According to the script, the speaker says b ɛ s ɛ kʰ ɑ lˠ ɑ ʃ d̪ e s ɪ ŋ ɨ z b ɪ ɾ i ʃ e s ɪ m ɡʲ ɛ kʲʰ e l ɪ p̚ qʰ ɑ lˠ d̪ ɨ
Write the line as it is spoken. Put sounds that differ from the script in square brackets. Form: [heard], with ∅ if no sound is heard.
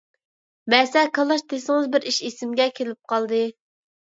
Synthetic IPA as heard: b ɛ s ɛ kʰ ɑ lˠ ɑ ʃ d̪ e s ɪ ŋ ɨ z b ɪ ɾ i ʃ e s ɪ m ɡʲ ɛ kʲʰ e l ɪ p̚ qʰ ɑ lˠ d̪ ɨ

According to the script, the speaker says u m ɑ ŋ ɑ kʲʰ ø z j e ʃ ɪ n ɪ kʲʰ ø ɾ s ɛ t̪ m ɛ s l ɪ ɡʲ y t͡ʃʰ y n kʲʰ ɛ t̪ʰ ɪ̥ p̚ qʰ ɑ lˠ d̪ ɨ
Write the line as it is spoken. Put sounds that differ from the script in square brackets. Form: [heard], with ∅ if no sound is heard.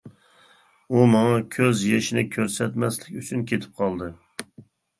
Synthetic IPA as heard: u m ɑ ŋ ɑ kʲʰ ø z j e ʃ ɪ n ɪ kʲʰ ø ɾ s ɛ t̪ m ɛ s l ɪ [kʲ] y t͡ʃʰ y n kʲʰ [e] t̪ʰ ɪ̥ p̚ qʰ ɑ lˠ d̪ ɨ

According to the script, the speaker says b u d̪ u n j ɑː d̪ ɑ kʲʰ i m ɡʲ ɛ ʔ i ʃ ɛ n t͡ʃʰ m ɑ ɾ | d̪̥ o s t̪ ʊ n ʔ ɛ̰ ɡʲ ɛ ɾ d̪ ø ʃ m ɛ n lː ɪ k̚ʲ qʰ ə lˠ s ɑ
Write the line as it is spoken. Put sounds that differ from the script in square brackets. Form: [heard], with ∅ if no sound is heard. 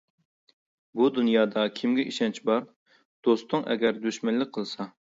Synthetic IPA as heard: b u d̪ u n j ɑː d̪ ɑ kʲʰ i m ɡʲ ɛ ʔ i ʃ ɛ n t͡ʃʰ [b] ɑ ɾ | d̪̥ o s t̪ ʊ [ŋ] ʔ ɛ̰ ɡʲ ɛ ɾ d̪ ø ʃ m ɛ n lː ɪ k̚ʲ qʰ ə lˠ s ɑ

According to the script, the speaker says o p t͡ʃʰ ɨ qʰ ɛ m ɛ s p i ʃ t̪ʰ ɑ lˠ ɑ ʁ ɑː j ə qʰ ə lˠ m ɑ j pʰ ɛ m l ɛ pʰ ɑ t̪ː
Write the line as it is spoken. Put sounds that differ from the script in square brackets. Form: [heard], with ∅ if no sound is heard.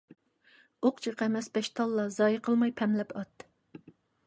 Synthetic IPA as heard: o [q] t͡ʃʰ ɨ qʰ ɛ m ɛ s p [ɛ] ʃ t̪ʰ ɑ [lˠː] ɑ [z] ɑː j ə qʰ ə lˠ m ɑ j pʰ ɛ m l ɛ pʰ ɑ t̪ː

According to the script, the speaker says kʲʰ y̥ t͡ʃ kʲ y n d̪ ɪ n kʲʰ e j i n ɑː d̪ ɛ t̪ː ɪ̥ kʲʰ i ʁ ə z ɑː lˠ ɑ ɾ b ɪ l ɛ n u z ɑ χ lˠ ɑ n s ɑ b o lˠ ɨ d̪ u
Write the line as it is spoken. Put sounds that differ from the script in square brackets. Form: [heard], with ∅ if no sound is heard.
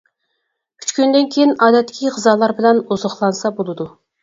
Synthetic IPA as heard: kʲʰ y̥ t͡ʃ kʲ y n d̪ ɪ n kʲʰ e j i n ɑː d̪ ɛ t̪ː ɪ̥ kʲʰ i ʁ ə z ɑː lˠ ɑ ɾ b ɪ l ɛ n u z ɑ χ lˠ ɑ n s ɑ b o lˠ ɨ d̪ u

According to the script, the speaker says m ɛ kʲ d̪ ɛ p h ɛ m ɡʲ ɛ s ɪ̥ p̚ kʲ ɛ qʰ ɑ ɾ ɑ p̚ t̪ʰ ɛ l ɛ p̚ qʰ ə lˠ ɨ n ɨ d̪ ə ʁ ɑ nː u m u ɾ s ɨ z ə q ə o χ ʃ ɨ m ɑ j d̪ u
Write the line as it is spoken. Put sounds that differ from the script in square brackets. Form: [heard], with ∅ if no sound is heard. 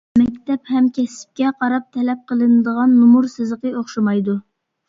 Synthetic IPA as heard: m ɛ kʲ [t̪] ɛ p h ɛ m [kʲ] ɛ s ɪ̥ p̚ kʲ ɛ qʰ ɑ ɾ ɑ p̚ t̪ʰ ɛ l ɛ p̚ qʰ ə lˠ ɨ n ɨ d̪ ə ʁ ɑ nː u m u ɾ s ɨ z ə q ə o χ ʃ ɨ m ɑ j d̪ u

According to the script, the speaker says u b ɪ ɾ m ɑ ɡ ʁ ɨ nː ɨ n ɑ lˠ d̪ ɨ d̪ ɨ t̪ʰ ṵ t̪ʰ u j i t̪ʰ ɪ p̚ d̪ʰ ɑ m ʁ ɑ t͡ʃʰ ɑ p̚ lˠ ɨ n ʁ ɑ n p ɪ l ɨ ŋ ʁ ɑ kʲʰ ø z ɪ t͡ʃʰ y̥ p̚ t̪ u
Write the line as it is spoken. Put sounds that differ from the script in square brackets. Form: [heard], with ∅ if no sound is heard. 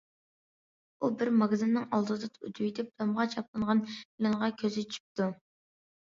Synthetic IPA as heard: u b ɪ ɾ m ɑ ɡ [z] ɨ nː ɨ [ŋ] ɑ lˠ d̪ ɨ d̪ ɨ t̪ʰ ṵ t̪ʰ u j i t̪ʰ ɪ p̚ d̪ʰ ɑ m ʁ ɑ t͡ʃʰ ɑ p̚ lˠ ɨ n ʁ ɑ n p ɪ l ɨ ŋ ʁ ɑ kʲʰ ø z ɪ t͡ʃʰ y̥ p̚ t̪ u

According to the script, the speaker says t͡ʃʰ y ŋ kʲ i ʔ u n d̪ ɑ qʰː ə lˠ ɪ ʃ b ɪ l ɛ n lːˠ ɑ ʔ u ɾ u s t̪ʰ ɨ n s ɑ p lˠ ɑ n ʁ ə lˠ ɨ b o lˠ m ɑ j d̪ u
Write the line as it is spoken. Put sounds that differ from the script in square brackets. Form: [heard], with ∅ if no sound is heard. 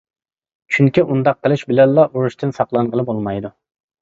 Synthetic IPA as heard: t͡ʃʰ y ŋ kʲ i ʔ u n d̪ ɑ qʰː ə lˠ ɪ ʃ b ɪ l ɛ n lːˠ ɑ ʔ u ɾ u [ʃ] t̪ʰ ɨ n s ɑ [q] lˠ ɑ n ʁ ə lˠ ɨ b o lˠ m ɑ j d̪ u

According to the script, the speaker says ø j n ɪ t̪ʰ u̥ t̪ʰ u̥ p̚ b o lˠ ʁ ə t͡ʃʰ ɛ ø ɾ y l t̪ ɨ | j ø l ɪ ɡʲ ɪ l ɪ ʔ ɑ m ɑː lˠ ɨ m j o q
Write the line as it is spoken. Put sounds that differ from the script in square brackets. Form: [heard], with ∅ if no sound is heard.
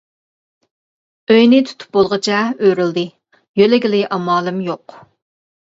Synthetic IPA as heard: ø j n ɪ t̪ʰ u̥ t̪ʰ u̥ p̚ b o lˠ ʁ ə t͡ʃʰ ɛ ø ɾ y l [d̪] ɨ | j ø l ɪ ɡʲ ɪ l ɪ ʔ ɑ m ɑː lˠ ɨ m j o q

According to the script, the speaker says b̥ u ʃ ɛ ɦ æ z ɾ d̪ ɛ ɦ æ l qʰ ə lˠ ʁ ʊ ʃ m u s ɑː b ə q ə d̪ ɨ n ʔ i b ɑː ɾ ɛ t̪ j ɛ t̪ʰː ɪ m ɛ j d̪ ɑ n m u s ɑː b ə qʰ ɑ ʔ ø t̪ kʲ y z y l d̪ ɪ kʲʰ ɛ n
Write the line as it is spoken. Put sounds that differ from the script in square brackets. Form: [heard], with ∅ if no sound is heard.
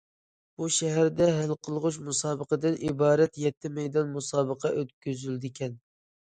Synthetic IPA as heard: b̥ u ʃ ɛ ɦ æ [∅] ɾ d̪ ɛ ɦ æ l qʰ ə lˠ ʁ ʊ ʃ m u s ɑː b ə q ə d̪ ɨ n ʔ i b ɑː ɾ ɛ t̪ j ɛ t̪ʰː ɪ m ɛ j d̪ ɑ n m u s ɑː b ə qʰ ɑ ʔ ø t̪ kʲ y z y l d̪ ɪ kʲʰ ɛ n

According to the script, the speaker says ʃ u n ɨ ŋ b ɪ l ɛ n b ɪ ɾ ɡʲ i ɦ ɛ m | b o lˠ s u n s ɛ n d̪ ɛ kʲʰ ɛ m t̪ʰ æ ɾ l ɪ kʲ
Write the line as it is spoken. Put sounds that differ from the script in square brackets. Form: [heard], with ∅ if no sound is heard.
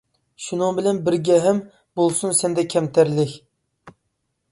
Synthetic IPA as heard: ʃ u n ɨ ŋ b ɪ l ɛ n b ɪ ɾ ɡʲ [ɛ] ɦ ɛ m | b o lˠ s u n s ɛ n d̪ ɛ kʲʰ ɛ m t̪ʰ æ ɾ l ɪ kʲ

